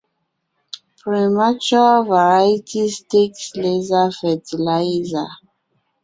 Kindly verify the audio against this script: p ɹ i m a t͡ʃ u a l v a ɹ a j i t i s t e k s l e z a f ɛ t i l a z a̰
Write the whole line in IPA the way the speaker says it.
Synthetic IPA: p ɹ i m a t͡ʃ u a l v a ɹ a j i t i s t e k s l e z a f ɛ t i l a z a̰